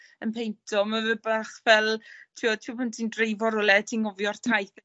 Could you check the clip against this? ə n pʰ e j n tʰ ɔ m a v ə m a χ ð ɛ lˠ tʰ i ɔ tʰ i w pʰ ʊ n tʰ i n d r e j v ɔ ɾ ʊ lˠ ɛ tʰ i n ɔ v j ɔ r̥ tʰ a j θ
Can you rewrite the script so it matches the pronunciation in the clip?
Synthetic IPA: ə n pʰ e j n tʰ ɔ m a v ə b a χ v ɛ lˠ tʰ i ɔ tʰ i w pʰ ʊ n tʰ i n d r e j v ɔ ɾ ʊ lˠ ɛ tʰ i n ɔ v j ɔ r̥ tʰ a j θ